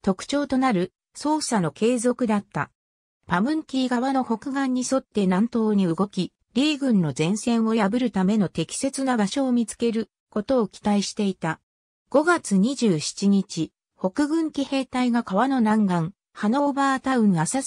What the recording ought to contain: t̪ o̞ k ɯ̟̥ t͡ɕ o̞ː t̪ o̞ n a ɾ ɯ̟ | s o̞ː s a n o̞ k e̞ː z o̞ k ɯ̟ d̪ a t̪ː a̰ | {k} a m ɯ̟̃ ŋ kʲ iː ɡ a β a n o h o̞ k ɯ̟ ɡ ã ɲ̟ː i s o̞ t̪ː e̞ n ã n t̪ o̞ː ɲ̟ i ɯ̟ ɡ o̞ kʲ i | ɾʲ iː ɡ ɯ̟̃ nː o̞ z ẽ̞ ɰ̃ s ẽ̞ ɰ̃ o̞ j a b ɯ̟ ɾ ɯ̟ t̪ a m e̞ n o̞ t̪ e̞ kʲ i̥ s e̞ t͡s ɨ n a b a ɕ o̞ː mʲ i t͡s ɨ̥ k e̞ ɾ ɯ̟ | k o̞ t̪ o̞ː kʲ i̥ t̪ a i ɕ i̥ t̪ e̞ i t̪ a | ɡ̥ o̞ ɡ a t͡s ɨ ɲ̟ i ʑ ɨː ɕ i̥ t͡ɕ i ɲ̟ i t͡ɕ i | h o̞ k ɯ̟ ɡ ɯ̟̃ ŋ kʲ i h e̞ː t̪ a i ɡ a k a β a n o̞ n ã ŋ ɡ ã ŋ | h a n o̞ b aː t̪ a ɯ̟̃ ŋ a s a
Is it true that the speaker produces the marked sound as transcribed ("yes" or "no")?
no